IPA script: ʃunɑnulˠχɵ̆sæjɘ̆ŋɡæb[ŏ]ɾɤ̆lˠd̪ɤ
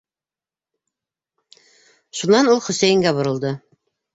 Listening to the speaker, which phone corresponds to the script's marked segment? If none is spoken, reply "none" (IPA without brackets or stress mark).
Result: ŏ